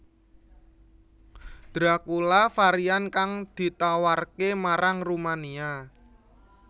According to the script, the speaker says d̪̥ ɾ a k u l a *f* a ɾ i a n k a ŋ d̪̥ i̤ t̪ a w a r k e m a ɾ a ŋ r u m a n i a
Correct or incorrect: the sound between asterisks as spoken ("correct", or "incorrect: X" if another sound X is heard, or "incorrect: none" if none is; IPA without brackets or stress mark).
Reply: correct